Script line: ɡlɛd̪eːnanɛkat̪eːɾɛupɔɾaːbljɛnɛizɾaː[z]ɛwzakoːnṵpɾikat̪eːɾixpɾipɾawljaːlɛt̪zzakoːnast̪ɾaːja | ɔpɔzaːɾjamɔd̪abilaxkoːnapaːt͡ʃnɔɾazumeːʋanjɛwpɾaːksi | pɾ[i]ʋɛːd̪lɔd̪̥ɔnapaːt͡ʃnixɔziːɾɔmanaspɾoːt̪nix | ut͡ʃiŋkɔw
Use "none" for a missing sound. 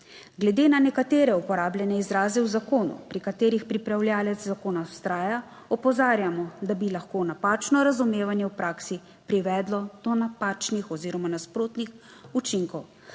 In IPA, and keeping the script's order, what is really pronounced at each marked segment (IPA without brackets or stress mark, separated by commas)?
z, i